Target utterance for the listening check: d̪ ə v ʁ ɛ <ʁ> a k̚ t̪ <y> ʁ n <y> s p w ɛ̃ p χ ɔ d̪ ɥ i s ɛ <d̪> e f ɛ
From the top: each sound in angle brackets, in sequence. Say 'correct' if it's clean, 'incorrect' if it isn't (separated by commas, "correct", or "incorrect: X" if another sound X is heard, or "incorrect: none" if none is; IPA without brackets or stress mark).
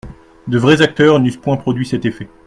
incorrect: z, incorrect: œ, correct, incorrect: t̪